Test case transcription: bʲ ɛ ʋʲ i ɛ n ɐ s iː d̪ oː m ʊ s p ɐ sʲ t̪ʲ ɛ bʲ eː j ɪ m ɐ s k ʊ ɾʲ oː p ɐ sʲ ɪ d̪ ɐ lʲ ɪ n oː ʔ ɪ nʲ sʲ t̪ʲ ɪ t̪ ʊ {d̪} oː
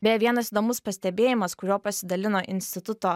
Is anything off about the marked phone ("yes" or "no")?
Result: yes